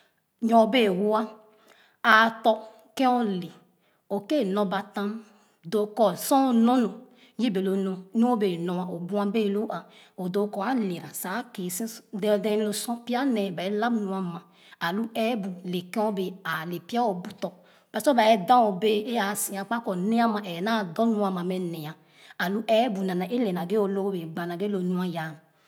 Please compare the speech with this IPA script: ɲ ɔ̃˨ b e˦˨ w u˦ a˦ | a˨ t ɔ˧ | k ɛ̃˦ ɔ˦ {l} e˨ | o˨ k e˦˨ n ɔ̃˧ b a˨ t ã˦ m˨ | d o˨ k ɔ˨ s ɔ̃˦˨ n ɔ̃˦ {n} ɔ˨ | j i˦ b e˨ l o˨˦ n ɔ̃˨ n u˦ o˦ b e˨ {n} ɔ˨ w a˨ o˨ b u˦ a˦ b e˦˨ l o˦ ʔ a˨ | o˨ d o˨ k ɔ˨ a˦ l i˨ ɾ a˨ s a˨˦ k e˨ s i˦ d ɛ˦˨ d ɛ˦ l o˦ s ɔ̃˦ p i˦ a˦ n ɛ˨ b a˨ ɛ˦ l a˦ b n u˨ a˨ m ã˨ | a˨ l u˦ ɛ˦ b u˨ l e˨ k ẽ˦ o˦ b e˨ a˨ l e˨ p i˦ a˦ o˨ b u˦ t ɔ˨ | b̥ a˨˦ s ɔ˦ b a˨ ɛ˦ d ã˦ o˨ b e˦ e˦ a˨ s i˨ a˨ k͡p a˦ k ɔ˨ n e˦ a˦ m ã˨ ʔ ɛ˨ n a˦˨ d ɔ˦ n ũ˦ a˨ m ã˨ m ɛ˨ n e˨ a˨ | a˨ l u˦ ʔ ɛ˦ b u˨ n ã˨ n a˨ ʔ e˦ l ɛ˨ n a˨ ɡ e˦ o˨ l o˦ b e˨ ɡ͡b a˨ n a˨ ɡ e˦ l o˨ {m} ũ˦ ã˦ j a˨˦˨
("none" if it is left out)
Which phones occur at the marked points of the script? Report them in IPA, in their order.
l, n, n, n

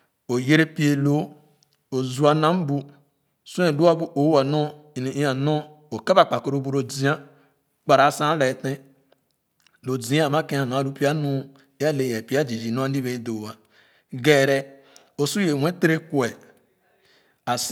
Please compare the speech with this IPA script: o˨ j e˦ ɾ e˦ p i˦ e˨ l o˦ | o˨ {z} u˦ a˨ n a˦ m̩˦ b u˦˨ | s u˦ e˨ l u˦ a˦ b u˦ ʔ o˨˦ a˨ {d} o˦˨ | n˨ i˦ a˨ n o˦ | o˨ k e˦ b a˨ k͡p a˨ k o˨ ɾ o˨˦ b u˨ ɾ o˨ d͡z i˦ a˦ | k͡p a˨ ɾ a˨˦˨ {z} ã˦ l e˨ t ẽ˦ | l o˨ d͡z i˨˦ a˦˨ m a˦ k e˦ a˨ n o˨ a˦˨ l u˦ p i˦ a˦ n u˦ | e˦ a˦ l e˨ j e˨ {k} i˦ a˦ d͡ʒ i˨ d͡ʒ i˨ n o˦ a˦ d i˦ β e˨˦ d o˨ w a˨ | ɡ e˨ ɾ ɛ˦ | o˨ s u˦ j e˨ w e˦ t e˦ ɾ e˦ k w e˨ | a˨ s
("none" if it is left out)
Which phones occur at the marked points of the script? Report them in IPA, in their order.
z, n, s, p

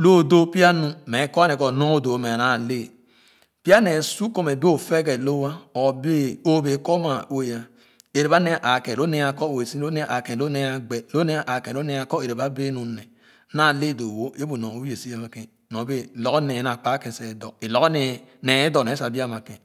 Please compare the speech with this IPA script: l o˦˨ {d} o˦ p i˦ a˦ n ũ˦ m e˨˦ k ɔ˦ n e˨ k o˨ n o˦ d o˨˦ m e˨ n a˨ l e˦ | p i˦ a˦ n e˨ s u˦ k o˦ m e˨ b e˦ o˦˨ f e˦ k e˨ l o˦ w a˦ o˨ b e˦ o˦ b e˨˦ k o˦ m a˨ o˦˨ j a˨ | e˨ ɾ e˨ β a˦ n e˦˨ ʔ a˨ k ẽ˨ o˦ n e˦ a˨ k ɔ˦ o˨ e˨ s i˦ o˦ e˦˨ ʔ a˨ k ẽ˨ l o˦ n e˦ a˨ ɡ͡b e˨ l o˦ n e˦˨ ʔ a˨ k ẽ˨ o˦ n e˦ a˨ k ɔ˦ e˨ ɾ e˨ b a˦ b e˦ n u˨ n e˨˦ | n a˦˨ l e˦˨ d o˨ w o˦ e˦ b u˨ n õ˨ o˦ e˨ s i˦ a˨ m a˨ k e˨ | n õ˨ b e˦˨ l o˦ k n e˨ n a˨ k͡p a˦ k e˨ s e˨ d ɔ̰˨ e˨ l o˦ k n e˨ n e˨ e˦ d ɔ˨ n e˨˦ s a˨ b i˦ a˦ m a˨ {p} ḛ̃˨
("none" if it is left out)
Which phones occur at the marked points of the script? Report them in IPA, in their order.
d, k

